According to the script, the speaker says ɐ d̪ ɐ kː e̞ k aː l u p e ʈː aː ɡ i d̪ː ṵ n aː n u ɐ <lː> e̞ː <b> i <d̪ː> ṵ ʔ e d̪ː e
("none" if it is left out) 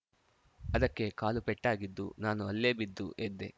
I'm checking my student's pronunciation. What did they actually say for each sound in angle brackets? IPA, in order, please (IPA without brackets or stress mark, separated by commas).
lː, b, d̪ː